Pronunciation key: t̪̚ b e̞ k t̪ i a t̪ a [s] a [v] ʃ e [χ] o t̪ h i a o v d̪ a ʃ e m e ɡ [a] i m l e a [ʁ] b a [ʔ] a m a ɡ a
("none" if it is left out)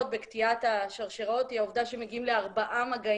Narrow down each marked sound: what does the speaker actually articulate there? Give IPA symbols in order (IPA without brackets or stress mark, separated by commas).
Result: ʃ, ʁ, ʁ, i, ʁ, ʔ